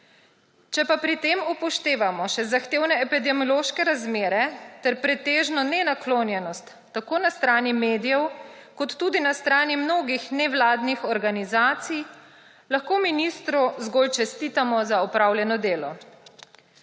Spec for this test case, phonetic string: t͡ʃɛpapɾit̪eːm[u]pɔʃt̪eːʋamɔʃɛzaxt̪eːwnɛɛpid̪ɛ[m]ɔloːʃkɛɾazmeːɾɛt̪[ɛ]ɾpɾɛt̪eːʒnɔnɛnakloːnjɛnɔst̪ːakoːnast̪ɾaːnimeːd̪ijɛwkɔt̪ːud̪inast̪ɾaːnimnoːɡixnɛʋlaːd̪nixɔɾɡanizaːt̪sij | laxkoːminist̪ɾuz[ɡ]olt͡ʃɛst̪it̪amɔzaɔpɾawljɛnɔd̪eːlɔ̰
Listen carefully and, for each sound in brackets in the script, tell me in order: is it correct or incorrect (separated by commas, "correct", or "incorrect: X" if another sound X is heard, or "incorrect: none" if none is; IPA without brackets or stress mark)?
correct, correct, correct, correct